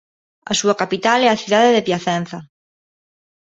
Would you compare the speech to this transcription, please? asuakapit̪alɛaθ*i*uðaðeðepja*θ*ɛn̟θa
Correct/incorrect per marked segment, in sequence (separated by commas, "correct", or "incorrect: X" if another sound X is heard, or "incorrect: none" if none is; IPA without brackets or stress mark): incorrect: j, correct